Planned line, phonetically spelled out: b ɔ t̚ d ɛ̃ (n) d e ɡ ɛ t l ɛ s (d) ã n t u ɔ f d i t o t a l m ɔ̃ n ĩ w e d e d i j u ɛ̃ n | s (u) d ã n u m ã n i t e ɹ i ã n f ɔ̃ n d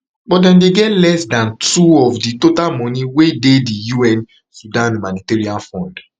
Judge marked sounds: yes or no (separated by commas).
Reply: yes, yes, yes